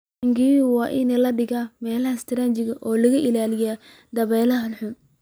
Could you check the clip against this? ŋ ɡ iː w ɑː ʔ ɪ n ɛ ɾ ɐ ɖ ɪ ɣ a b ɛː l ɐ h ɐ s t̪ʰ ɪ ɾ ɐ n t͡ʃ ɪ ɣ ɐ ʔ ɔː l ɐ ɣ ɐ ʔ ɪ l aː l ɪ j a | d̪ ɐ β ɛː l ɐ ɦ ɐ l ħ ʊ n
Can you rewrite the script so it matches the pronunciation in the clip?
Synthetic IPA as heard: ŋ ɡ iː w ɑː ʔ ɪ n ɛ l ɐ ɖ ɪ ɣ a m ɛː l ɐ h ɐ s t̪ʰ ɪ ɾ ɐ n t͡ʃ ɪ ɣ ɐ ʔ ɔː l ɐ ɣ ɐ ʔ ɪ l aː l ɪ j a | d̪ ɐ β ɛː l ɐ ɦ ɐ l ħ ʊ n